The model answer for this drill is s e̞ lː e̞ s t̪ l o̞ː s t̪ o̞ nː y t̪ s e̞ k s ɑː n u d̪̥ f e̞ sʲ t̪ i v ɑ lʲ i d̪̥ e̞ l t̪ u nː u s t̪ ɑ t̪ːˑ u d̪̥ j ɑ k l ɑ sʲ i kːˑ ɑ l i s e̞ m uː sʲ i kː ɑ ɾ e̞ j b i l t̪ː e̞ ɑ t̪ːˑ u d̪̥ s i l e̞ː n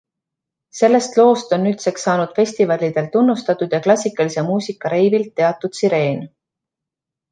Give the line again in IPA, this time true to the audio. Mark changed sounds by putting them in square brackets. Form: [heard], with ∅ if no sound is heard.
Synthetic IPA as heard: s e̞ lː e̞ s t̪ l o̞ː s t̪ o̞ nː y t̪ s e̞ k s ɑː n u d̪̥ f e̞ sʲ t̪ i v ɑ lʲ i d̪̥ e̞ l t̪ u nː u s t̪ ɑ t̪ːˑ u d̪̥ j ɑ k l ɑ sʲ i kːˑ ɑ l i s e̞ m uː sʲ i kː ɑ ɾ e̞ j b i l t̪ː e̞ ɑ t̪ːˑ u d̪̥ s i [ɾ] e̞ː n